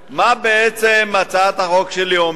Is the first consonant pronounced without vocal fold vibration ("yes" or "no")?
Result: no